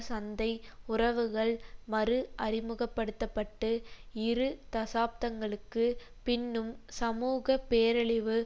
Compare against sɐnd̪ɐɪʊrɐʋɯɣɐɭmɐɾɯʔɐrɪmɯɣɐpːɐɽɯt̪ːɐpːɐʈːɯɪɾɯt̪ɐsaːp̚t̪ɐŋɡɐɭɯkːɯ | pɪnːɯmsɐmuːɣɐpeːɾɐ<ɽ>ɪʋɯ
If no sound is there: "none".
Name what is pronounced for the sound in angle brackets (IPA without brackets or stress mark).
ɭ